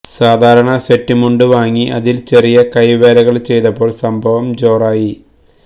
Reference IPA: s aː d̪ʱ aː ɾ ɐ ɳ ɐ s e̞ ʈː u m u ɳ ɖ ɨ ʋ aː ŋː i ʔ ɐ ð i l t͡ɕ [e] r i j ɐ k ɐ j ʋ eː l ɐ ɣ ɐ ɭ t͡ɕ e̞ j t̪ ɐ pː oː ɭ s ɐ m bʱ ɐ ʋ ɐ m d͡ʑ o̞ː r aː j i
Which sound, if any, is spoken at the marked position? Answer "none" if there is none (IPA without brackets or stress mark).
e